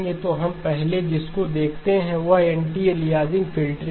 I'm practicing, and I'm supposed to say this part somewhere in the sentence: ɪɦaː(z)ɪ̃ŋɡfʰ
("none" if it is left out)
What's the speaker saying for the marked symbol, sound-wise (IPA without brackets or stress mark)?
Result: z